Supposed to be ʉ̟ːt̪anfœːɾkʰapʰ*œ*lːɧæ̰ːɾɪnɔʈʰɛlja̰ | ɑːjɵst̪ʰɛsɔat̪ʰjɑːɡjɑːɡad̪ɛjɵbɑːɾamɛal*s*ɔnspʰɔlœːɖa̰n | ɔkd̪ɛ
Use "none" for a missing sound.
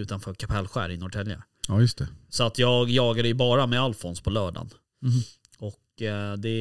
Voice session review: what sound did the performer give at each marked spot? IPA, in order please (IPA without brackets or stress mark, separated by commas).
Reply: ɛ, f